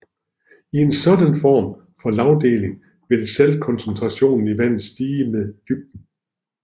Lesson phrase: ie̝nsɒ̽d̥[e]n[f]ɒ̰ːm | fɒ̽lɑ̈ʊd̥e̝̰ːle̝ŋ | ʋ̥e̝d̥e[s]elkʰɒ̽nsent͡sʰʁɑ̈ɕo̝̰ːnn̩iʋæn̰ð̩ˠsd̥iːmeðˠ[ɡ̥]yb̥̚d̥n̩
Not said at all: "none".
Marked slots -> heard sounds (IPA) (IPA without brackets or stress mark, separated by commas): æ, f, s, d̥